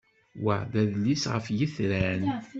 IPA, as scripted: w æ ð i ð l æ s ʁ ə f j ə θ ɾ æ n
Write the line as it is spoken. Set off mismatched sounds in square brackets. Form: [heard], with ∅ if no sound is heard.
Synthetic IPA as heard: w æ ð [æ] ð l [i] s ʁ ə f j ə θ ɾ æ n

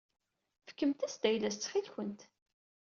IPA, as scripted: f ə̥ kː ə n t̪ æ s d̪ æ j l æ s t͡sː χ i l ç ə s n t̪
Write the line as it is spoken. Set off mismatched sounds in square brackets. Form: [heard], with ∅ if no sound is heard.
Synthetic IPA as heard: f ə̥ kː ə [m] t̪ æ s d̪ æ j l æ s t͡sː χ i l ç ə [∅] n t̪

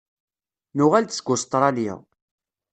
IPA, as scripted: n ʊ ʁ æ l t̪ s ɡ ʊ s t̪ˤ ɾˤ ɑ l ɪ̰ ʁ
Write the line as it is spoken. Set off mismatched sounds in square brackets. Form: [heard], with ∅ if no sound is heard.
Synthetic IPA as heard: n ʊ ʁ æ l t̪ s ɡ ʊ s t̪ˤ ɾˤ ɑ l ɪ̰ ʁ

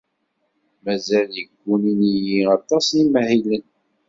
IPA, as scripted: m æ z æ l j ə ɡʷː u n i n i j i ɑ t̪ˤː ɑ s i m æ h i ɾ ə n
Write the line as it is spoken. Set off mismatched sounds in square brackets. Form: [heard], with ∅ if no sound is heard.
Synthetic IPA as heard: m æ z æ l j ə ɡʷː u n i n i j i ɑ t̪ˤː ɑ s i m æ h i [l] ə n

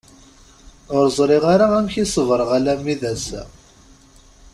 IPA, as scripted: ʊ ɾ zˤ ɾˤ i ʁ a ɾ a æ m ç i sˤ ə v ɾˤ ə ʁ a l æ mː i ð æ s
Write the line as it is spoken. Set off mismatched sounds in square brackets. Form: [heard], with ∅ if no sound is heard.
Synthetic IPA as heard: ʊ ɾ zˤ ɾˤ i ʁ a ɾ a æ m ç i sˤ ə v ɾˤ ə ʁ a l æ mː i ð æ s

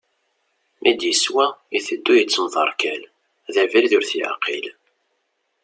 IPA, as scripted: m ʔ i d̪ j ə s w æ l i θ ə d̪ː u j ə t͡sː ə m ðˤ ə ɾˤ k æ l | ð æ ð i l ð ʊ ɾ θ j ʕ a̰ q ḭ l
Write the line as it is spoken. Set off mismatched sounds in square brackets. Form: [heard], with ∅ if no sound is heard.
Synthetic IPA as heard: m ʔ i d̪ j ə s w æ [∅] i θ ə d̪ː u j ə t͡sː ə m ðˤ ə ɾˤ k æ l | ð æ [v] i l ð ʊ ɾ θ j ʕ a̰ q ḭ l

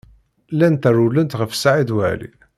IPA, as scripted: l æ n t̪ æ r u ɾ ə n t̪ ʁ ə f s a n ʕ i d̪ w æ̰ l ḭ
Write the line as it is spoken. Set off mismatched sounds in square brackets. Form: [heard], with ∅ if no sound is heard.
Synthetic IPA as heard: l æ n t̪ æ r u [l] ə n t̪ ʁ ə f s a [∅] ʕ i d̪ w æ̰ l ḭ

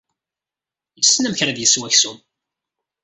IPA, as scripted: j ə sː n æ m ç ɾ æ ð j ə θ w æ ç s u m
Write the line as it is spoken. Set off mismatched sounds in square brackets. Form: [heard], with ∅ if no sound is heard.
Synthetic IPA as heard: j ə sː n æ m ç ɾ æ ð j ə [s] w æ ç s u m

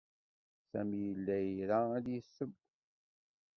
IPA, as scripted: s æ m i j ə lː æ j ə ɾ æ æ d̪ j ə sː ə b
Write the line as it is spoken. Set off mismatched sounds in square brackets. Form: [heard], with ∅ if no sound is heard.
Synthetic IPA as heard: s æ m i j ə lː æ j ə ɾ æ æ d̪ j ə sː ə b

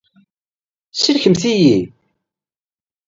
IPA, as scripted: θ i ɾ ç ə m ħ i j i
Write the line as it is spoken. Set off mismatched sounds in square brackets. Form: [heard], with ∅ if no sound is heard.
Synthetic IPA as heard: [s] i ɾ ç ə m [θ] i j i

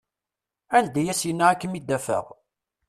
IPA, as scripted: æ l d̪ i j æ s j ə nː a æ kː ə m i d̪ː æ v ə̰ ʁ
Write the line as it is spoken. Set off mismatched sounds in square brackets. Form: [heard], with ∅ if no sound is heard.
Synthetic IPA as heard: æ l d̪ [æ] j æ s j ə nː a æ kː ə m i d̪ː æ [f] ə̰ ʁ

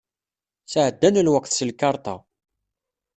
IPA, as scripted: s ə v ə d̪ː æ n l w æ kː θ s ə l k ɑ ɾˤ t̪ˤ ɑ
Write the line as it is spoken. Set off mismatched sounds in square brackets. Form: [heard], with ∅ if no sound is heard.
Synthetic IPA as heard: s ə [ʕ] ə d̪ː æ n l w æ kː θ s ə l k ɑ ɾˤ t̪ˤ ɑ

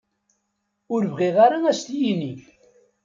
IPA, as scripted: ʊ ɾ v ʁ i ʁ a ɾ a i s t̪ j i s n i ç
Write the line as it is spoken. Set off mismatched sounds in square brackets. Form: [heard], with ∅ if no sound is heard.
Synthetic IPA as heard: ʊ ɾ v ʁ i ʁ a ɾ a [æ] s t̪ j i [∅] n i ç

